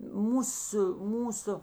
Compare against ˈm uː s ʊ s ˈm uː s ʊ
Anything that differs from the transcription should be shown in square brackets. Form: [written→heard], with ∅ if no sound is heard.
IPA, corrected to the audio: ˈm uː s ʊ [s→∅] ˈm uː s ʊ